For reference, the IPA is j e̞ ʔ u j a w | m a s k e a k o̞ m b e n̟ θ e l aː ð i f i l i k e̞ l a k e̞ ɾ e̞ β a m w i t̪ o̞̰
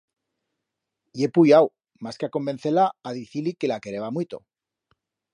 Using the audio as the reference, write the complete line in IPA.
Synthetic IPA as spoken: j e̞ p u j a w | m a s k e a k o̞ m b e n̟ θ e l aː ð i θ i l i k e̞ l a k e̞ ɾ e̞ β a m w i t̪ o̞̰